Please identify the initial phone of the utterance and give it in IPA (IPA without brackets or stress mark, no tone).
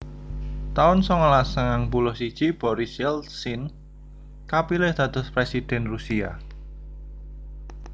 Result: t̪